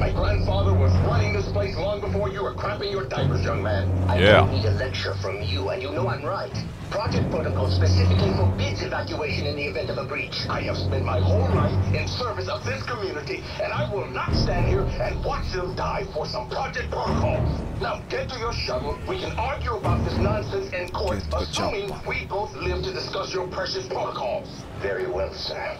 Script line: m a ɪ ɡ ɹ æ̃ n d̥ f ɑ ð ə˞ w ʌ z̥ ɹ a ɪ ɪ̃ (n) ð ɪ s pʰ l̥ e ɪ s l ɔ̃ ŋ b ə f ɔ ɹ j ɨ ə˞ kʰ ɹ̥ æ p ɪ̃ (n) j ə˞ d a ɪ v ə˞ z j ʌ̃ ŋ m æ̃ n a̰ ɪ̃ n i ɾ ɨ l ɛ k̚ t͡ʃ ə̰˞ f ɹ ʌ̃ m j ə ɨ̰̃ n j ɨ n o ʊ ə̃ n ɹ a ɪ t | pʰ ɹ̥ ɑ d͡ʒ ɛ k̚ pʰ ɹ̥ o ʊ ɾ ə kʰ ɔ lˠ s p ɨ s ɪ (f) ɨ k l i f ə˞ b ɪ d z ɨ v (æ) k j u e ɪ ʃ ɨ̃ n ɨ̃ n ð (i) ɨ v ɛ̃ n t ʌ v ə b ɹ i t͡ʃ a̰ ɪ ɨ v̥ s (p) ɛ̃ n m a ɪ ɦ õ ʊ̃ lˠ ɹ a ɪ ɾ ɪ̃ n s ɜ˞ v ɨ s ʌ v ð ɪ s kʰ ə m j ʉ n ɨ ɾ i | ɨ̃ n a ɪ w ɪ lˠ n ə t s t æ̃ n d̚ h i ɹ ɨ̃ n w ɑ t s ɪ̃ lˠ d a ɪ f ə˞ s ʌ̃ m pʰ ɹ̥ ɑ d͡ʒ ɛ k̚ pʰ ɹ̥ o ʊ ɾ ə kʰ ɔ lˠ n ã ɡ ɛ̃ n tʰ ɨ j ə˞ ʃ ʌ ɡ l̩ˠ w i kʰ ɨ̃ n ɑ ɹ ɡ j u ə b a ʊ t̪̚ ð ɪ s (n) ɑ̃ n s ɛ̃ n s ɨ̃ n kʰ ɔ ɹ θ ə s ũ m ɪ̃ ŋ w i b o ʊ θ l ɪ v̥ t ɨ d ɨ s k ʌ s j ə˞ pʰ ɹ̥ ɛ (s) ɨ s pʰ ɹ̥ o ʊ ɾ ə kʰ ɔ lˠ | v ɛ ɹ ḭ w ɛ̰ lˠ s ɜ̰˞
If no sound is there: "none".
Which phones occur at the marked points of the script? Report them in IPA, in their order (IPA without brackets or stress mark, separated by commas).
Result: ŋ, ŋ, f, æ, i, p, n, ʃ